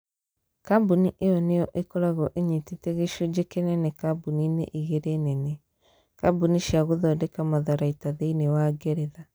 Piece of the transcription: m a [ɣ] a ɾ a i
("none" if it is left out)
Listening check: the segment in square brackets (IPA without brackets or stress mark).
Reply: ð